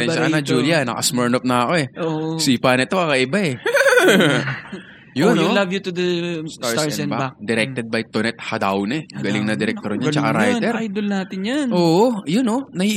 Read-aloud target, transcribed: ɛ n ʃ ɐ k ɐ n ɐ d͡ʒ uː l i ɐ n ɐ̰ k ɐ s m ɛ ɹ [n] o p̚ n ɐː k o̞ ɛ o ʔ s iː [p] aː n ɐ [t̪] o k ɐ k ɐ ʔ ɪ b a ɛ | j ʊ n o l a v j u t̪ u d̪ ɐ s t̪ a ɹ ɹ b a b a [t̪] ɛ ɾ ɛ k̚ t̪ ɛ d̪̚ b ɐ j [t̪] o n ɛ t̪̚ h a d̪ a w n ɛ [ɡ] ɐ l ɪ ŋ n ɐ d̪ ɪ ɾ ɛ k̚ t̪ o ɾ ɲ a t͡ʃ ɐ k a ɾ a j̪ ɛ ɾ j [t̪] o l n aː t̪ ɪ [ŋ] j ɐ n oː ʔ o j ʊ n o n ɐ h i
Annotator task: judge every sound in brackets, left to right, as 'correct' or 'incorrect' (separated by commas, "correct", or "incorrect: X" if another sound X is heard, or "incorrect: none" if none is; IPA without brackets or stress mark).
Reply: correct, correct, correct, incorrect: d̪, correct, correct, incorrect: d̪, incorrect: n